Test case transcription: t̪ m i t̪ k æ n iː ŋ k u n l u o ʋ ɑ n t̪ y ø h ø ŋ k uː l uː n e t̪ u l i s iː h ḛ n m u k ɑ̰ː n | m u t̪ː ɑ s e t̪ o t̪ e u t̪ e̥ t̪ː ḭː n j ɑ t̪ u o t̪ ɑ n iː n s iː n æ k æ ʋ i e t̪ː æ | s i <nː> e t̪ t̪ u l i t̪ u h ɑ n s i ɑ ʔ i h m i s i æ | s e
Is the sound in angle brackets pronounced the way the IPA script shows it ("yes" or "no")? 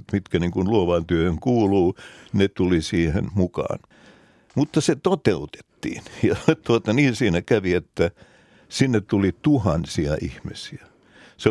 yes